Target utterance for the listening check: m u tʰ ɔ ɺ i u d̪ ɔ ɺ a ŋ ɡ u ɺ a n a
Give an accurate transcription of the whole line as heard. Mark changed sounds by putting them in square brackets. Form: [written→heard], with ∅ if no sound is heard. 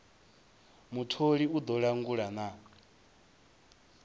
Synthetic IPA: m u tʰ [ɔ→o] ɺ i u d̪ ɔ ɺ a ŋ ɡ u ɺ a n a

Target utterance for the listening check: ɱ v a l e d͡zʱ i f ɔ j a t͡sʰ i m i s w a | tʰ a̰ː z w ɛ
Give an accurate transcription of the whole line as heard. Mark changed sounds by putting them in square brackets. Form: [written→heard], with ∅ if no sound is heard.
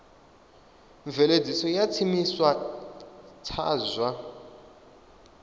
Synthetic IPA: ɱ v [a→ɛ] l e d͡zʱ i [f→s] ɔ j a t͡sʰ i m i s w a | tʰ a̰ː z w [ɛ→a]

